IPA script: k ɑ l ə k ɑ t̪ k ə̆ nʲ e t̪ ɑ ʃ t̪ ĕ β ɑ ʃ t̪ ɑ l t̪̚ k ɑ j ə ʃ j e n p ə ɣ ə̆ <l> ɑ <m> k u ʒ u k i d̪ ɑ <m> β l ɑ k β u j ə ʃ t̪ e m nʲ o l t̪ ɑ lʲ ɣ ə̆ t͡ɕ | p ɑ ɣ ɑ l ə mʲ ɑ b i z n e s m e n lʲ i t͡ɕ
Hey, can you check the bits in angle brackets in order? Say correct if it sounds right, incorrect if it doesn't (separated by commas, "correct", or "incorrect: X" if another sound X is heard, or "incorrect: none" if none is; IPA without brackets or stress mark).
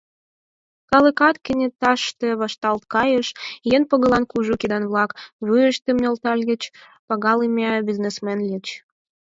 correct, incorrect: n, incorrect: n